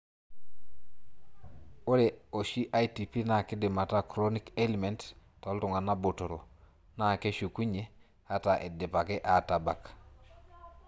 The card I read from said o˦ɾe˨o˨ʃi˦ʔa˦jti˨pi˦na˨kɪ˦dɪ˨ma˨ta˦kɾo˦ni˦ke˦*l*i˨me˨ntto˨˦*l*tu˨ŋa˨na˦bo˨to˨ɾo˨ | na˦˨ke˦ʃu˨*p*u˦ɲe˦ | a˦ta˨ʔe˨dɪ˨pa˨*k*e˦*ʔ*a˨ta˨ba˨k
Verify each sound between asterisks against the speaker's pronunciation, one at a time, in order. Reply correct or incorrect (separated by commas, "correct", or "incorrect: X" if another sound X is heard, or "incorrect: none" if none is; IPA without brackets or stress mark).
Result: correct, correct, incorrect: k, correct, correct